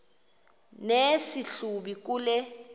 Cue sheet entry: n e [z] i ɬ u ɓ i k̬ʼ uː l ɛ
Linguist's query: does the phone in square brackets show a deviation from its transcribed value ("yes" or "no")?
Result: yes